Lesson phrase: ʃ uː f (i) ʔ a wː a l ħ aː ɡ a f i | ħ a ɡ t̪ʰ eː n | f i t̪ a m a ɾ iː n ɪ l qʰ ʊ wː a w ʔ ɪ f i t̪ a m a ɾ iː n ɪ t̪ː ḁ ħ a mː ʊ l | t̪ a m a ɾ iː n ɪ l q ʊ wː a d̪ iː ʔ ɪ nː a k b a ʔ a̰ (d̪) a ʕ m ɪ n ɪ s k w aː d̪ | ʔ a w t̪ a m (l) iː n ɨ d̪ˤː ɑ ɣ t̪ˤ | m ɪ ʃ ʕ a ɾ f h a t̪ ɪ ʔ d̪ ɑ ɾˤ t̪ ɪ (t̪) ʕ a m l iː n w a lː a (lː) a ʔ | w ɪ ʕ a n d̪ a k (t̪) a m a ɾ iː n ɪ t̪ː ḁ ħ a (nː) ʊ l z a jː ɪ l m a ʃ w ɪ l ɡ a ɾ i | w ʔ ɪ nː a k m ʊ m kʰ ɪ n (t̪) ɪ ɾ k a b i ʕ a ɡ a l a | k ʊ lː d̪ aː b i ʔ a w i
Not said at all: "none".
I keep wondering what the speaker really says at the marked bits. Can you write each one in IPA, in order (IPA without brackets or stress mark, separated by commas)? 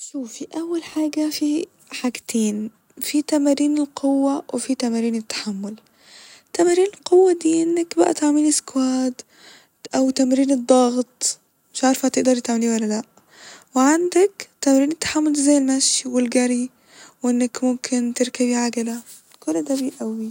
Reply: i, t̪, ɾ, t̪, l, t̪, mː, t̪